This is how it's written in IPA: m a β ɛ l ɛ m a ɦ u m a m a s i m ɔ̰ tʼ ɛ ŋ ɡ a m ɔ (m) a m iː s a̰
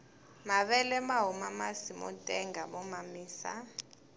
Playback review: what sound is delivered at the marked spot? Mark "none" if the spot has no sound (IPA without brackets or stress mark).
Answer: m